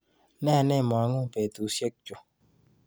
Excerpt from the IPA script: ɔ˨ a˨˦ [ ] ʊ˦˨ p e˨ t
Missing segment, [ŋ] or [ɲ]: ŋ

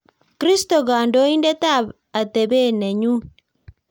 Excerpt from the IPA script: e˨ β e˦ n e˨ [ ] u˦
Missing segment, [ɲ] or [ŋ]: ɲ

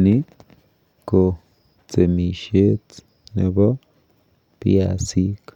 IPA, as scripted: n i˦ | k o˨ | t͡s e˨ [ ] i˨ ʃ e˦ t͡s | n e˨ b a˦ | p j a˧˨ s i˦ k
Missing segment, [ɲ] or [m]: m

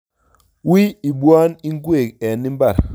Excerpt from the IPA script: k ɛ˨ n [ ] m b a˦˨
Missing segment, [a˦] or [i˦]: i˦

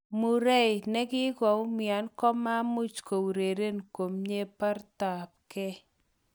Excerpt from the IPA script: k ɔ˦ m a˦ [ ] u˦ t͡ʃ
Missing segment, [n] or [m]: m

